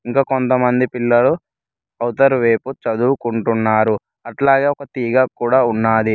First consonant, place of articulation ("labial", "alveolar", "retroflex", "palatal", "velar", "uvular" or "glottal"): velar